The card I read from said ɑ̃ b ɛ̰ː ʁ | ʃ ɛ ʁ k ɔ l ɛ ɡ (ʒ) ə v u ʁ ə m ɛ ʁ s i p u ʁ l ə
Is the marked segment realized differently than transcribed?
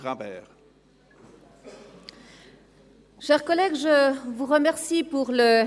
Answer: no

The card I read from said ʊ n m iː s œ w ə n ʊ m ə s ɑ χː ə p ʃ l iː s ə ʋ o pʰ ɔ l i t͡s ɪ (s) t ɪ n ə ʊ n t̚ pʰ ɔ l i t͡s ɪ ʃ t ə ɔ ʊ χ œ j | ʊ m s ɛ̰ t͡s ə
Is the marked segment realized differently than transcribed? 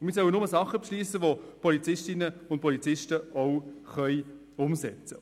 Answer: yes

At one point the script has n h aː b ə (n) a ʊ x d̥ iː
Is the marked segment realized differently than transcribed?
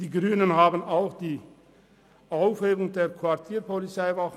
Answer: no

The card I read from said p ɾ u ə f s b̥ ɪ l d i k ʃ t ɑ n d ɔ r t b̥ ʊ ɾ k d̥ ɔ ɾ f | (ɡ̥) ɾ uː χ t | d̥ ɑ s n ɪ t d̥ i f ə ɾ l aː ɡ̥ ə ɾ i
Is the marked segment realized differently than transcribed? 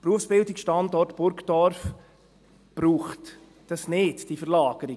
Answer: yes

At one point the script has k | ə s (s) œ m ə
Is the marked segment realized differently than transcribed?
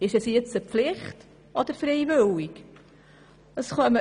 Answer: yes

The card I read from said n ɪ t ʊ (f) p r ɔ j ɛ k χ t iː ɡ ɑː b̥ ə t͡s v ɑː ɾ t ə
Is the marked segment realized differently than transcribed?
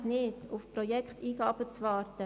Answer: no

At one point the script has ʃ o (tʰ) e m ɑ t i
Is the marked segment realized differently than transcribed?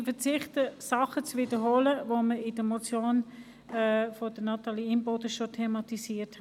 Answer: no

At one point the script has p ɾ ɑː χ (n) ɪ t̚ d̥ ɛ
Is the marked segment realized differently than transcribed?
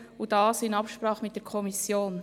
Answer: yes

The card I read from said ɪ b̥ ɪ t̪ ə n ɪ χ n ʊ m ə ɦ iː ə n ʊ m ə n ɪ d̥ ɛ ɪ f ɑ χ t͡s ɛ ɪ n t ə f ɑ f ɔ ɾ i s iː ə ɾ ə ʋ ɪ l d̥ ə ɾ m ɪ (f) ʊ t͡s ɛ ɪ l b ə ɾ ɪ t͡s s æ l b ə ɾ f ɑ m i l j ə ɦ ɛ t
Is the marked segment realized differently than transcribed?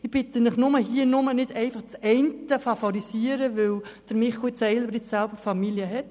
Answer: yes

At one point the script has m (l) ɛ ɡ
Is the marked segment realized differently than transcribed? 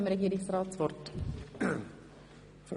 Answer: yes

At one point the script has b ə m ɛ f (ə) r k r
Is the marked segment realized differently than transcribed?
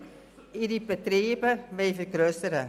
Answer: no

